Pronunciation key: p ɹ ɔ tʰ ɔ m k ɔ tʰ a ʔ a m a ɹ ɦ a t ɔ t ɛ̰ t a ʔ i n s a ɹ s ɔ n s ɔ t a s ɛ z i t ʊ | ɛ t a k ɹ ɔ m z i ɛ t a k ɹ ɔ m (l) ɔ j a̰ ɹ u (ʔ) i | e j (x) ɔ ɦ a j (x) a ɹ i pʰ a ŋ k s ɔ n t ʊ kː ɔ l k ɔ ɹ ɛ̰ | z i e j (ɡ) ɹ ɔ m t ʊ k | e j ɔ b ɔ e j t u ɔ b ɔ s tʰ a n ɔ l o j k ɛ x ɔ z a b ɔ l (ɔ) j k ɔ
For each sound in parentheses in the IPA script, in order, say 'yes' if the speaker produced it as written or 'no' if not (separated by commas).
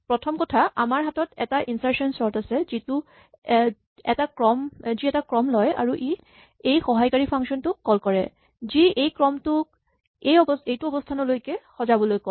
yes, yes, yes, no, no, no